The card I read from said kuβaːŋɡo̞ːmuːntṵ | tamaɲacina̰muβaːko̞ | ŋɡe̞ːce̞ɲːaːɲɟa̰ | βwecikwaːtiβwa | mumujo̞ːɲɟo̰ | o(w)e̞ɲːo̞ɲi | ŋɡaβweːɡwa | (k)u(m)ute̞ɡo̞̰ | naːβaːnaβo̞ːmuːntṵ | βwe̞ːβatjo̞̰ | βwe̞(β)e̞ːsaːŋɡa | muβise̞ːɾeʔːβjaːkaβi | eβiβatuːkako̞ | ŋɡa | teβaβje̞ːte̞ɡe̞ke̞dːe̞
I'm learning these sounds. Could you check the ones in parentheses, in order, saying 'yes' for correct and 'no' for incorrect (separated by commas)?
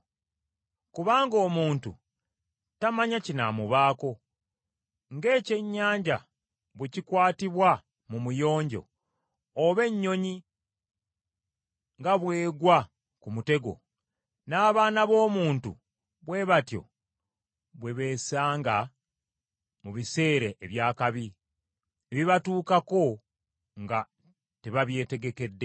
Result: no, yes, yes, yes